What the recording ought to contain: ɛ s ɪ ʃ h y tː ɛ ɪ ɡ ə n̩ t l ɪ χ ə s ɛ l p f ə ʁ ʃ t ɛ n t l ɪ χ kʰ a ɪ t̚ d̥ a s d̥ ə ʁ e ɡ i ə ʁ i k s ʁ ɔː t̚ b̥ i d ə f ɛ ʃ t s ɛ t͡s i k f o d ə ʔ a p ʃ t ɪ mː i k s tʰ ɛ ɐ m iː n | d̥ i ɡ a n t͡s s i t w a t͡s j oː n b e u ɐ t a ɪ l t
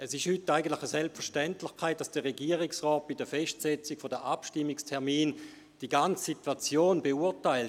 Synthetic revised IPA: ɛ s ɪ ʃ h y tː a ɪ ɡ ə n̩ t l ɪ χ ə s ɛ l p f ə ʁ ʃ t ɛ n t l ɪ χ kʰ a ɪ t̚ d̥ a s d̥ ə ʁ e ɡ i ə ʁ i k s ʁ ɔː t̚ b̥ i d ə f ɛ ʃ t s ɛ t͡s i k f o d ə ʔ a p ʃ t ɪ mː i k s tʰ ɛ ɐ m iː n | d̥ i ɡ a n t͡s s i t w a t͡s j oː n b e u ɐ t a ɪ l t